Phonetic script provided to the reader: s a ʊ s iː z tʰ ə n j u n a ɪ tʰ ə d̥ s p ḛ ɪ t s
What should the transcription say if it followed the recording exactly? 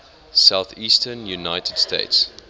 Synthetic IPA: s a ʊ θ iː s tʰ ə n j u n a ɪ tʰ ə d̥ s t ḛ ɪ t s